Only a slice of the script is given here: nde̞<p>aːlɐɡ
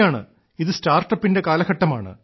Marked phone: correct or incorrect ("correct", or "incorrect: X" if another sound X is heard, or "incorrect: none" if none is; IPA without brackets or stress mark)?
incorrect: k